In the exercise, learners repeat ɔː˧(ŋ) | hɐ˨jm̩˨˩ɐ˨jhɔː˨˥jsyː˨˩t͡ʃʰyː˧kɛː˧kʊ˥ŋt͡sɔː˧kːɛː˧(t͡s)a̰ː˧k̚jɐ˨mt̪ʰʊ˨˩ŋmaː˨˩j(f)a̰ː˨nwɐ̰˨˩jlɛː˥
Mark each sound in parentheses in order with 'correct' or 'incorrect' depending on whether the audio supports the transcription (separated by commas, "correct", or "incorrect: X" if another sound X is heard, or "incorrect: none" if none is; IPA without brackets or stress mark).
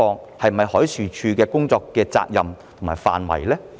correct, correct, correct